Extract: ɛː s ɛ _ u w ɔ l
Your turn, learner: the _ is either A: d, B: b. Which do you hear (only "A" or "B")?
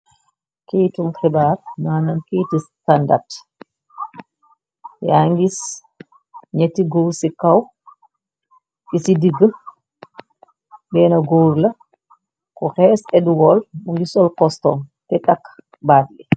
A